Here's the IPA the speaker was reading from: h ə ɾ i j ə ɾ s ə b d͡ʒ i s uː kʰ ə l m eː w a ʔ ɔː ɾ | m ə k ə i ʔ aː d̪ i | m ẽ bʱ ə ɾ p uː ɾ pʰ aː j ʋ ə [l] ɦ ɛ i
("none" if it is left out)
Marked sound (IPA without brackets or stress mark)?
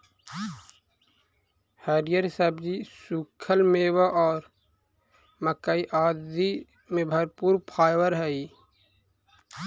ɾ